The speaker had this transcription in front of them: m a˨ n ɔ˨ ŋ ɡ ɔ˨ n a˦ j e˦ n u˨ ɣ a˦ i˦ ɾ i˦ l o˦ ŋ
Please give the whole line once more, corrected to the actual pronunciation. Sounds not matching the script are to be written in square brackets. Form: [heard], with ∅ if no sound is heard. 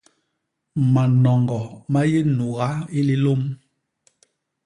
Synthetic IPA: m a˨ n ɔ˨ ŋ ɡ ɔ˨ [m] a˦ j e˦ n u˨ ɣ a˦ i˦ [l] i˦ l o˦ [m]